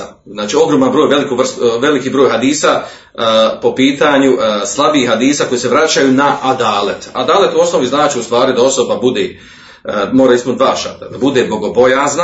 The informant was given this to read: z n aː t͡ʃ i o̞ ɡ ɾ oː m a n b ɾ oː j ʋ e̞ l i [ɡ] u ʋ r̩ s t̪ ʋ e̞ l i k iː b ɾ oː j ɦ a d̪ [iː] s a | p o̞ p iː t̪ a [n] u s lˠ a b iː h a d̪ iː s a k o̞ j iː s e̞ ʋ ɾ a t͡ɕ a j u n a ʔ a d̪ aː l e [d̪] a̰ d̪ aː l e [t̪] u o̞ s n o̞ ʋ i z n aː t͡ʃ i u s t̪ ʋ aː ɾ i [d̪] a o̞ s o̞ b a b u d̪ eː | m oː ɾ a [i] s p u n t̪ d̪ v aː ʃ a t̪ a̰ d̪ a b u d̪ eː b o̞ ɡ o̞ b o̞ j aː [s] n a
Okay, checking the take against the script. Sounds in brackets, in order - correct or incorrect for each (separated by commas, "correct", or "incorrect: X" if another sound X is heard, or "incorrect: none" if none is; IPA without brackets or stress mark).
incorrect: k, correct, incorrect: ɲ, incorrect: t̪, correct, correct, correct, incorrect: z